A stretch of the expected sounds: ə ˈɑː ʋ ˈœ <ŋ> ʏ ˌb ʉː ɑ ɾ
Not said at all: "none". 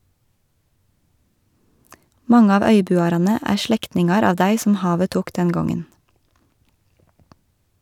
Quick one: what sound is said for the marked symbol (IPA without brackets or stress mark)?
none